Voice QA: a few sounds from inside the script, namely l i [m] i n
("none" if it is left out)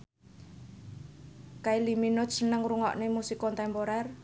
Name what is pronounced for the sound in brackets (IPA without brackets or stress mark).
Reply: m